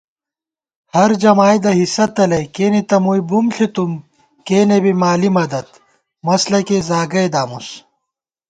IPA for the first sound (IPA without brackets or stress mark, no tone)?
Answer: h